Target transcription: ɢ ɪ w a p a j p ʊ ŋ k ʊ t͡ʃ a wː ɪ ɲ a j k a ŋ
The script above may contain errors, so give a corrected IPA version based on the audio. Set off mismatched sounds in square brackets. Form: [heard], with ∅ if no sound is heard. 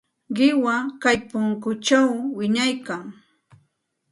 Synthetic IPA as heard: ɢ ɪ w a [k] a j p ʊ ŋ k ʊ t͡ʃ a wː ɪ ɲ a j k a ŋ